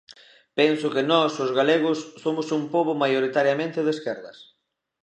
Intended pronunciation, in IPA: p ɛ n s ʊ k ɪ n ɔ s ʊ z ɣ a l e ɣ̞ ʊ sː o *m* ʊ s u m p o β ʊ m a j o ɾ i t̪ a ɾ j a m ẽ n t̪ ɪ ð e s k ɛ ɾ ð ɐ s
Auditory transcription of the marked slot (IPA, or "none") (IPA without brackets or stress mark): m